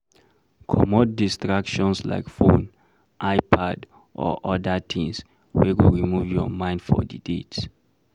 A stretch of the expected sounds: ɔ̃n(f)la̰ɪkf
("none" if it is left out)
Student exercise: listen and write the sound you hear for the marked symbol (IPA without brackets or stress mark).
s